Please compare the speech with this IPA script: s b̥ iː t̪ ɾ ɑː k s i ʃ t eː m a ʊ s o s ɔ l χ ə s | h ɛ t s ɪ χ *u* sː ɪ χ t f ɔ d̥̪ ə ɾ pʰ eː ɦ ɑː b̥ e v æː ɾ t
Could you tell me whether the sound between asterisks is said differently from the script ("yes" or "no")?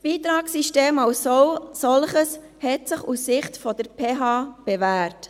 no